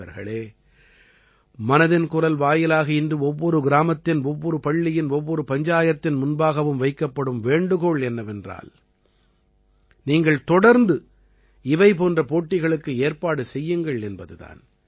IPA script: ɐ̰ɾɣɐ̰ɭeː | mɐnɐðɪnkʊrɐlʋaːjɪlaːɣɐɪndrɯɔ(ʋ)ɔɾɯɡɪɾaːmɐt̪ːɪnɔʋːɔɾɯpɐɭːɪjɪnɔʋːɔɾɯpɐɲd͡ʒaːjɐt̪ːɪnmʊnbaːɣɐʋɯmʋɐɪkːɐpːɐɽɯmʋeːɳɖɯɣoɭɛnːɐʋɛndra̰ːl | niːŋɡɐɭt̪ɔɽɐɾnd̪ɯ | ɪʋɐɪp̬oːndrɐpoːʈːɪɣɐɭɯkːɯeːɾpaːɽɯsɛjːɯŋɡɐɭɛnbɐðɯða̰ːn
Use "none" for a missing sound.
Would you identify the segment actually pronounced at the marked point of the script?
ʋː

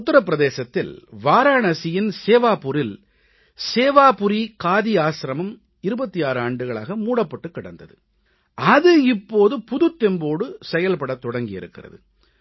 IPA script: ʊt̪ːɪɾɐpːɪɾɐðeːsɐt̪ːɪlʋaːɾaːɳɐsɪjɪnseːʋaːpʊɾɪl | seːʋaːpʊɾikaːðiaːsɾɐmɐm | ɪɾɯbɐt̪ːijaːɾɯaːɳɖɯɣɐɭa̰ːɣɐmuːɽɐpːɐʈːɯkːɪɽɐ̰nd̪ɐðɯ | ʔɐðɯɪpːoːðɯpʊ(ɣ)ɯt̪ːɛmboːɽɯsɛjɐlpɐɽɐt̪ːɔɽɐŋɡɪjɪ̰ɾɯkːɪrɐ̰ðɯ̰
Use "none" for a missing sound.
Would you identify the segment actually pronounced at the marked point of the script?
ð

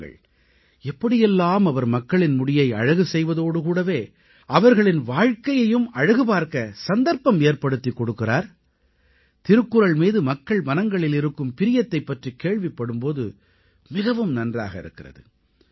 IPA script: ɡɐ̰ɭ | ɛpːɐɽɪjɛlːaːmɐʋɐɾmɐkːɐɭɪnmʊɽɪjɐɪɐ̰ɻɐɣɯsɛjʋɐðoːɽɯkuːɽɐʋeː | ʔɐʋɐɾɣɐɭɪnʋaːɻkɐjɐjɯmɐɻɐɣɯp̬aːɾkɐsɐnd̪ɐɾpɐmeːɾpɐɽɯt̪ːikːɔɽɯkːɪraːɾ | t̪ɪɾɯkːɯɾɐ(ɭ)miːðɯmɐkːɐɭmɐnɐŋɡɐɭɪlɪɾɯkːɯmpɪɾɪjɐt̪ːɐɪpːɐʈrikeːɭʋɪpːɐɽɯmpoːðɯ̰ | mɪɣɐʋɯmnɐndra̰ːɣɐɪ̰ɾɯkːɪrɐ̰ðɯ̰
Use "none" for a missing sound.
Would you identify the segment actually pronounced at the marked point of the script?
ɭ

